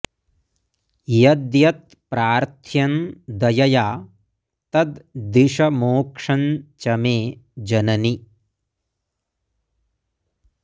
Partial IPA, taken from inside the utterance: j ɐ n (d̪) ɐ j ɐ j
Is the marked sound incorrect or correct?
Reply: correct